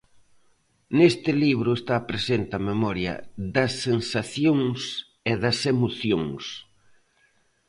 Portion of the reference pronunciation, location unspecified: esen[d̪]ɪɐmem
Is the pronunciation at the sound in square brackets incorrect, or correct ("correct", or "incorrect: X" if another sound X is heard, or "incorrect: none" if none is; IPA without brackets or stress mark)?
incorrect: t̪